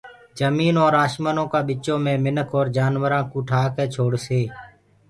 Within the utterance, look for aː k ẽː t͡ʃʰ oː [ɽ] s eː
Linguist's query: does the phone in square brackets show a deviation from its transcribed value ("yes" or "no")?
no